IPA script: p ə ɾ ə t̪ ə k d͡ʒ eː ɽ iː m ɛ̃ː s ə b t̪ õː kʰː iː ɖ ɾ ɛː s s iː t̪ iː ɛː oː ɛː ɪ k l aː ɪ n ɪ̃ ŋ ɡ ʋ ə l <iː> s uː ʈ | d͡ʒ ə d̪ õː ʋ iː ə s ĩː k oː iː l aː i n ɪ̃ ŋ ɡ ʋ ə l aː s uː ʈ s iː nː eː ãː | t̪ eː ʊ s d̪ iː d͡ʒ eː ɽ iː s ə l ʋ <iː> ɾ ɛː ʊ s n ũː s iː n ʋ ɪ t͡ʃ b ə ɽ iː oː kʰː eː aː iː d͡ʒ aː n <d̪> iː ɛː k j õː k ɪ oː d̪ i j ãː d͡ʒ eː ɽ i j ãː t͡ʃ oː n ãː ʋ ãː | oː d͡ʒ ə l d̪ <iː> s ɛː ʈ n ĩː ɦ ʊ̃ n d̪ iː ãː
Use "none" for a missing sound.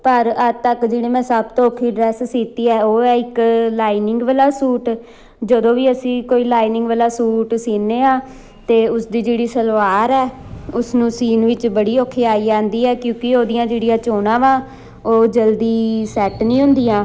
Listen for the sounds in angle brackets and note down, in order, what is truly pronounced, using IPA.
aː, aː, d̪, iː

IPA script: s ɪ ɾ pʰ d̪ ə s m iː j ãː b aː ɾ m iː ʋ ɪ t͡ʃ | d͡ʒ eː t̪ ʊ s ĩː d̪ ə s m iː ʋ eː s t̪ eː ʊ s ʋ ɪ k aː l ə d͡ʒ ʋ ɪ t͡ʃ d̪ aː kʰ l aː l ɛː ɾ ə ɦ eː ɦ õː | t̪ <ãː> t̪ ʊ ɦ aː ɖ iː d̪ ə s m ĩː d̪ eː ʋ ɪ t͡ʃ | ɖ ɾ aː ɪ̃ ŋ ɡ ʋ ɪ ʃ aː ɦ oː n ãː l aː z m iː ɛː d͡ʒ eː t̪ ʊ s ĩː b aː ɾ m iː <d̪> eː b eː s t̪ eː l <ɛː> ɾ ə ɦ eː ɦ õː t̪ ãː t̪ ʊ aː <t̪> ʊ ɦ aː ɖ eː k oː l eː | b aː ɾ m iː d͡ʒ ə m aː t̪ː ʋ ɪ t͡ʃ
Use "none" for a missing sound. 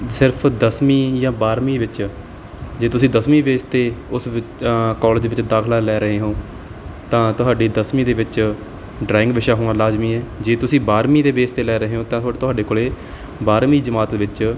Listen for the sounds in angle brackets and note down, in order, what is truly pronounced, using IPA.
ãː, d̪, ɛː, t̪

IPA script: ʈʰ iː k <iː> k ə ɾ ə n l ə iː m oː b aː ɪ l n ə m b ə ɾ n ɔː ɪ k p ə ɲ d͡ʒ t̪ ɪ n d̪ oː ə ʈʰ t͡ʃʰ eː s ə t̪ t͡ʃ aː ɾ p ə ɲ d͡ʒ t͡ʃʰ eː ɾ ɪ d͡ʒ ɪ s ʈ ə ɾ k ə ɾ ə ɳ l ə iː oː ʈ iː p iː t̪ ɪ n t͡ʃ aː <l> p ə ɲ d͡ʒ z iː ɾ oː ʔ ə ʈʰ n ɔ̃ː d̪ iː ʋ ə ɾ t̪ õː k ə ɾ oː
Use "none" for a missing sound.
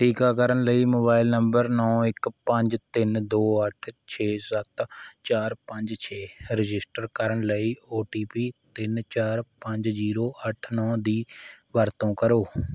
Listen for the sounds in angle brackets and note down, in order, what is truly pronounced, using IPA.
aː, ɾ

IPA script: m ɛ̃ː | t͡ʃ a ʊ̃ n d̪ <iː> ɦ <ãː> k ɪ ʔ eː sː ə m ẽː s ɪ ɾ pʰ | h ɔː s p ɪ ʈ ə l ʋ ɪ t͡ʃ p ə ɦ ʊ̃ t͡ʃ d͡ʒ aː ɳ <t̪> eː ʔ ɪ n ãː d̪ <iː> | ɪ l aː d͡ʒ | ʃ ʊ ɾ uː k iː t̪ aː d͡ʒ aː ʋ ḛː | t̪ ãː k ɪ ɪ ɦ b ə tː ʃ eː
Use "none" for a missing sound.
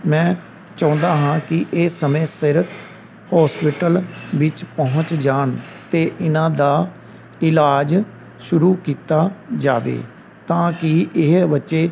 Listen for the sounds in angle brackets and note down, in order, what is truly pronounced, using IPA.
aː, ãː, t̪, aː

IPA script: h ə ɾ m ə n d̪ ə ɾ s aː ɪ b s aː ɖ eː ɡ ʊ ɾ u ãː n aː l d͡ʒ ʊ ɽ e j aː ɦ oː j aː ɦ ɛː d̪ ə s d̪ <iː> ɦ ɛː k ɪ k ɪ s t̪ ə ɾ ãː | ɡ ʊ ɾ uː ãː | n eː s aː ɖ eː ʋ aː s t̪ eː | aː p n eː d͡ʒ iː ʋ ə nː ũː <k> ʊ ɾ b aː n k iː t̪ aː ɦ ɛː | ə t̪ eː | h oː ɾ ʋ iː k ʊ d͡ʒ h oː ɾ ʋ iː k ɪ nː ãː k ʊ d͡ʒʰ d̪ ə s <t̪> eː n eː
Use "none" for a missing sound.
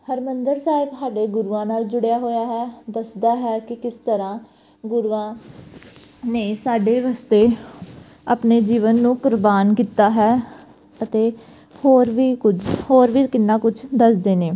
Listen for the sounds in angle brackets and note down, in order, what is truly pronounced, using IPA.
aː, k, d̪

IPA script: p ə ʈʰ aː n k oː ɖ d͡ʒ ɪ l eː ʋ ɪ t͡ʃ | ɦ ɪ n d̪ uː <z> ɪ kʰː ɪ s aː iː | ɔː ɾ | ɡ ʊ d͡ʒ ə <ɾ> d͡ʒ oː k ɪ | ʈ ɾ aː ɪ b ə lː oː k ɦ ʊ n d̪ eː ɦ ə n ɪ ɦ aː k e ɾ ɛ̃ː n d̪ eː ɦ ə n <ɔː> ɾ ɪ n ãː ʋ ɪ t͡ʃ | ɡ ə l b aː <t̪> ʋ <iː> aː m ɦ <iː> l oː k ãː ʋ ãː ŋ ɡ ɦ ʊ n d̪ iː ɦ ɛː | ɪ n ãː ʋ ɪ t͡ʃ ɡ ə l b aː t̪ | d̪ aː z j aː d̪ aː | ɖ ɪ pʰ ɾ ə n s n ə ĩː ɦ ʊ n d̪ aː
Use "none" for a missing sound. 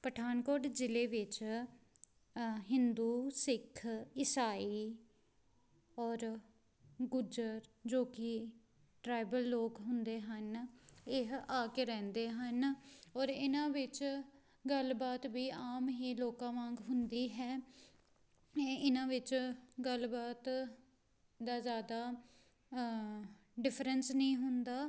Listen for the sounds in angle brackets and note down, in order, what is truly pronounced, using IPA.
s, ɾ, ɔː, t̪, iː, iː

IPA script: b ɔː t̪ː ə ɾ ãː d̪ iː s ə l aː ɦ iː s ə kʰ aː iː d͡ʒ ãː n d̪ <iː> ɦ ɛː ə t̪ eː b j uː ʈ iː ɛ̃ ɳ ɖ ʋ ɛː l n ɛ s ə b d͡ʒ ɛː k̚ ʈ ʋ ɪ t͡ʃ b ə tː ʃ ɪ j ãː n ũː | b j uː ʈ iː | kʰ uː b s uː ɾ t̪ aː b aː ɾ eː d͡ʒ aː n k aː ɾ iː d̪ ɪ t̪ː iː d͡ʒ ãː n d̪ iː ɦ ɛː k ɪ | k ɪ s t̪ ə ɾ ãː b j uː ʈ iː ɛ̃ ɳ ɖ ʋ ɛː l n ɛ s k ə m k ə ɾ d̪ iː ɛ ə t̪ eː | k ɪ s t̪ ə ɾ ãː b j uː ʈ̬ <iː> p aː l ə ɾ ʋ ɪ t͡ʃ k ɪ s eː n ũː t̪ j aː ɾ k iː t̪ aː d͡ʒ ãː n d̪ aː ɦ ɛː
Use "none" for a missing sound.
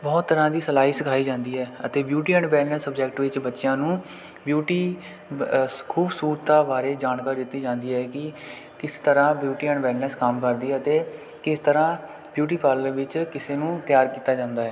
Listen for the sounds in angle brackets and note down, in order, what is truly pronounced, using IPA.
iː, iː

